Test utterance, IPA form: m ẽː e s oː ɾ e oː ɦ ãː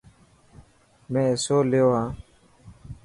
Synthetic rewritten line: m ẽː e s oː l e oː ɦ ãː